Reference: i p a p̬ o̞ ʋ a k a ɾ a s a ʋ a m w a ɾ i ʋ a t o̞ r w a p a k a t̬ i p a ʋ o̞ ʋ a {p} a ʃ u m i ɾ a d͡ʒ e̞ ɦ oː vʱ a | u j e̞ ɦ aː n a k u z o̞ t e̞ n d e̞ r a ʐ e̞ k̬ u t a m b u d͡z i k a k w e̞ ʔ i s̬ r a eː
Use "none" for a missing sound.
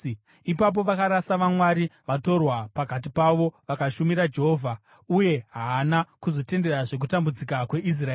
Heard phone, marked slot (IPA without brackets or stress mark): k